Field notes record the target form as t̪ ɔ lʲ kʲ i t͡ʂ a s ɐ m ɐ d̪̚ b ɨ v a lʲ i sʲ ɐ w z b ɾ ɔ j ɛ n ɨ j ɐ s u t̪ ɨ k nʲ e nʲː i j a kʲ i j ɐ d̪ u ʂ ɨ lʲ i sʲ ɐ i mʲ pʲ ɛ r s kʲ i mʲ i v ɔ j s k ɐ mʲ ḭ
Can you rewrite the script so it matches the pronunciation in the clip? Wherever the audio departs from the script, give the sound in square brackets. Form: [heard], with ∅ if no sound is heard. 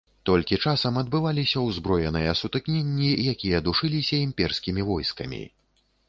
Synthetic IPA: t̪ ɔ lʲ kʲ i t͡ʂ a s ɐ m ɐ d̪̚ b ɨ v a lʲ i sʲ ɐ w z b ɾ ɔ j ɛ n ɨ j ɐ s u t̪ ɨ k nʲ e nʲː i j a kʲ i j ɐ d̪ u ʂ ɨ lʲ i sʲ ɐ i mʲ pʲ ɛ r s kʲ i mʲ i v ɔ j s k ɐ mʲ ḭ